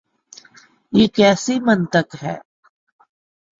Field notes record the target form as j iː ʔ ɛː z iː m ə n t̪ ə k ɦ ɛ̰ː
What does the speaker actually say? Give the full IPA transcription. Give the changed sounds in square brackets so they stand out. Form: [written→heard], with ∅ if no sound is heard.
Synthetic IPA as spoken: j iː [ʔ→k] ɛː [z→s] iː m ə n t̪ ə k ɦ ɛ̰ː